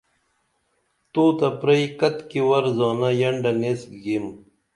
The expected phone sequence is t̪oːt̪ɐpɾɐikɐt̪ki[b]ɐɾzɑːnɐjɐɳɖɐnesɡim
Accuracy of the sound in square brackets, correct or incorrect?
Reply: incorrect